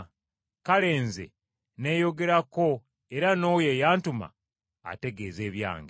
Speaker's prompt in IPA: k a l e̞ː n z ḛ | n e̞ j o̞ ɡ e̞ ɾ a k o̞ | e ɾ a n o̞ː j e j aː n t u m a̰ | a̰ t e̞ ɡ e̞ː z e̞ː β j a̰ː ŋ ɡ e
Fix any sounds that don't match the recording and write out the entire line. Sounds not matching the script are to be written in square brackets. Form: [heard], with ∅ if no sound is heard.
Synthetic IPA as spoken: k a l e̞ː n z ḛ | n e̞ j o̞ ɡ e̞ ɾ a k o̞ | e ɾ a n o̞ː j e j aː n t u m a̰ | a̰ t e̞ ɡ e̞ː z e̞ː β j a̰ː ŋ ɡ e